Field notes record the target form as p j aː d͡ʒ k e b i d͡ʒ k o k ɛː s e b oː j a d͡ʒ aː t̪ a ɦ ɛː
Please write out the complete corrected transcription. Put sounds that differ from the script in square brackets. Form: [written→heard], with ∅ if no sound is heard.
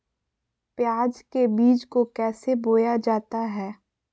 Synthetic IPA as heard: p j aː d͡ʒ k e b [i→iː] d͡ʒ k o k ɛː s e b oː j a d͡ʒ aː t̪ a ɦ ɛː